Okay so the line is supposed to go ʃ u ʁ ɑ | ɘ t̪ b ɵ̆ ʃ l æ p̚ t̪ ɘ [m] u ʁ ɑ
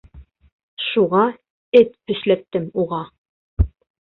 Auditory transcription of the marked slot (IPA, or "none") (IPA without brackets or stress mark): m